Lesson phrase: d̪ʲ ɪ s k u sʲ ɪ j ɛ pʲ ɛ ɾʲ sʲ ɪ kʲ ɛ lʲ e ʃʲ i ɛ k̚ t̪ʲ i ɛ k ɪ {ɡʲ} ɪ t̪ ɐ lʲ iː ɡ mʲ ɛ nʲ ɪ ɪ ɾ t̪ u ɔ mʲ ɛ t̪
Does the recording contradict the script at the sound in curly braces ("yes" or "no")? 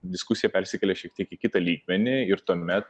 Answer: yes